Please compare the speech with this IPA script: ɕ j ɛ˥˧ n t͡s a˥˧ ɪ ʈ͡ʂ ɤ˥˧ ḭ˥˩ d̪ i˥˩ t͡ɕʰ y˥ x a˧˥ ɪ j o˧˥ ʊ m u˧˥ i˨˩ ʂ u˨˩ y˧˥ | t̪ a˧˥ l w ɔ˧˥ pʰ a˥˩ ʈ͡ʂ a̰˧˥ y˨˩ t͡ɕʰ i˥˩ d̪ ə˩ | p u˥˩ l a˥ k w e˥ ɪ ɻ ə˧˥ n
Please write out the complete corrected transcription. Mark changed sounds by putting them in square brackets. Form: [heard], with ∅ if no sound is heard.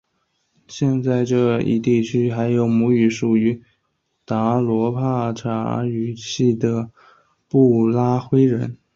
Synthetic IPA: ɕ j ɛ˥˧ n t͡s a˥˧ ɪ ʈ͡ʂ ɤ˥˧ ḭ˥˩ [t̪] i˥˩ t͡ɕʰ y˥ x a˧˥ ɪ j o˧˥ ʊ m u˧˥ [y˨˩] ʂ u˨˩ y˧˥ | t̪ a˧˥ l w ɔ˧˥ pʰ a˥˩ [ʈ͡ʂʰ] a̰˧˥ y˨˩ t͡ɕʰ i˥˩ d̪ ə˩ | p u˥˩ l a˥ [x] w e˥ ɪ ɻ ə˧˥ n